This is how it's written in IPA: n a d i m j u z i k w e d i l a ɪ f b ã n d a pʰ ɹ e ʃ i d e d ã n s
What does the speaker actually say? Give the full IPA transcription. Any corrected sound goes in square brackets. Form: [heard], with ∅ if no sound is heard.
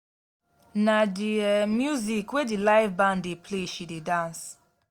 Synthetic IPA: n a d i m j u z i k w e d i l a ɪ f b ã n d [e] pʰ [l] e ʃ i d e d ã n s